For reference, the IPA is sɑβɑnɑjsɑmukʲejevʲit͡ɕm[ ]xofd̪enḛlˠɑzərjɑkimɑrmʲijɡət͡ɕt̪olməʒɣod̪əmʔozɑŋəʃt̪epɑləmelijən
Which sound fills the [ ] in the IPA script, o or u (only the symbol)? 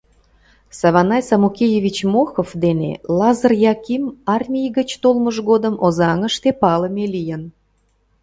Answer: o